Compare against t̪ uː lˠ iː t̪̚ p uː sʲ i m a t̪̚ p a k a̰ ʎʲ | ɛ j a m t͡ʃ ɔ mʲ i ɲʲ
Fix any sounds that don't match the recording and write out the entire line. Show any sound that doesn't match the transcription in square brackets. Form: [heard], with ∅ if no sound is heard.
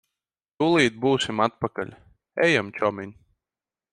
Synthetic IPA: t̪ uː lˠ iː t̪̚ [b] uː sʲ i m a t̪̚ p a k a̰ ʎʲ | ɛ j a m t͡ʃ ɔ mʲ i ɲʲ